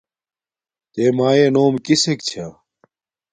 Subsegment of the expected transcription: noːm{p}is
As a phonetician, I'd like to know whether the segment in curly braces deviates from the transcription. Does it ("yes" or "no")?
yes